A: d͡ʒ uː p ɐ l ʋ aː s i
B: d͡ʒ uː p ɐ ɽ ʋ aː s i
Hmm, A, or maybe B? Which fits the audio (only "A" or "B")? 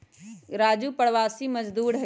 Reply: B